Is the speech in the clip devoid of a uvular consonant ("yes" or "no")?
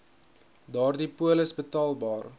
yes